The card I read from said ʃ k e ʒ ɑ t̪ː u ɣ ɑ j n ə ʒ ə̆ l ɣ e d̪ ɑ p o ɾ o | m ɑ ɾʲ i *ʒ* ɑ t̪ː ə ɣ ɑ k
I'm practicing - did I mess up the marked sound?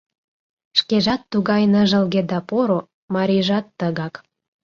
no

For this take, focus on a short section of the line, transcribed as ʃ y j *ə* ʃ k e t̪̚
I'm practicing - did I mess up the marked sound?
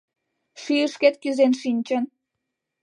no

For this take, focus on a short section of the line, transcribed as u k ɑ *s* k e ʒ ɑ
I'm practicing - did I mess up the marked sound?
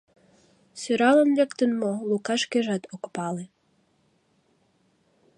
yes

